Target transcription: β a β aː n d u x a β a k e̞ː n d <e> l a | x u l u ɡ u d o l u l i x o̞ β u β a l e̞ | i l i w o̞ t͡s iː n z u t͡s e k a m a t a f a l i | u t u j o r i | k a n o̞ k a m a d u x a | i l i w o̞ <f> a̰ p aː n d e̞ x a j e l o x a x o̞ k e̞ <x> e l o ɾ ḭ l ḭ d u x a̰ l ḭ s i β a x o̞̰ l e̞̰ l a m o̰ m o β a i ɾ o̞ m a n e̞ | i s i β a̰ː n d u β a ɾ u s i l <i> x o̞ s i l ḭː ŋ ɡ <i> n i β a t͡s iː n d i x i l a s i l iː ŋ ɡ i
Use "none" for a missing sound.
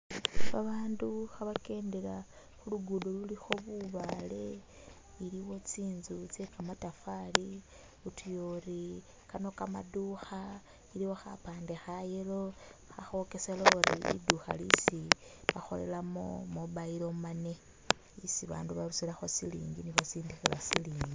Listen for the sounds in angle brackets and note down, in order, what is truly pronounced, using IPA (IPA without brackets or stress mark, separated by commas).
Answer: e, x, s, a, i